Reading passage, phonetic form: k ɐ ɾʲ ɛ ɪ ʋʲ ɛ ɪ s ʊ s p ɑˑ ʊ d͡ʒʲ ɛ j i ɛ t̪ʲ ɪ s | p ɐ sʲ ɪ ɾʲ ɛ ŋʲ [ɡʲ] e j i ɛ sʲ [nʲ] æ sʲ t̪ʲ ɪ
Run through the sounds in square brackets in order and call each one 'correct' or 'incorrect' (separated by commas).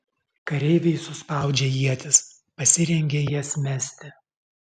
correct, incorrect